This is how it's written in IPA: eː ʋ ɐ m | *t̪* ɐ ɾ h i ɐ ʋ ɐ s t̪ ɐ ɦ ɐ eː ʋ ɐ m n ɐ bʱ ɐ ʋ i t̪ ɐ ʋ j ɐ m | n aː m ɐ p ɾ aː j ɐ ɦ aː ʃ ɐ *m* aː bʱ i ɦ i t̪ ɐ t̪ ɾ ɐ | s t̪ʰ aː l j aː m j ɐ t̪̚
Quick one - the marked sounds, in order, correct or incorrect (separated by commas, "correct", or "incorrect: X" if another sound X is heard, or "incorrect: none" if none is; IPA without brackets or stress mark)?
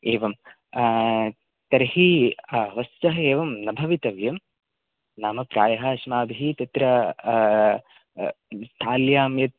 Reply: correct, correct